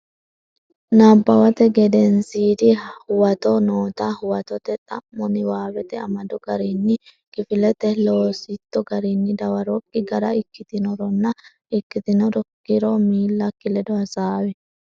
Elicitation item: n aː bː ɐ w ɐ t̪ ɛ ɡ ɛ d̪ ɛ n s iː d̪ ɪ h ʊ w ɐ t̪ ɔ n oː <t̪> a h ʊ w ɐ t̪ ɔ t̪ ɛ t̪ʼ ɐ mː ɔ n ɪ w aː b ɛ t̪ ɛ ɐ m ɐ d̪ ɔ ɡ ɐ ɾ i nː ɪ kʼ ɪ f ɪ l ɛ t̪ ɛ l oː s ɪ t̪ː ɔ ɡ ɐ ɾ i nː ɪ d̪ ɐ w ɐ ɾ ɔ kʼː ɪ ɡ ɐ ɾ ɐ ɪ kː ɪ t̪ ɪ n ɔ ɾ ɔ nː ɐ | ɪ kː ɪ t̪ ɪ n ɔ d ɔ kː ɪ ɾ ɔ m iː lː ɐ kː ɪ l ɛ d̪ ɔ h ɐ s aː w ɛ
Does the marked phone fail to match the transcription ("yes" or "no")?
no